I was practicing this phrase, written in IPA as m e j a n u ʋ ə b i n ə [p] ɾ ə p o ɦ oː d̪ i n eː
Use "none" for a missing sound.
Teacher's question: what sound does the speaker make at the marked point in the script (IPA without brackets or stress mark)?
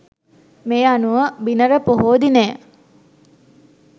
none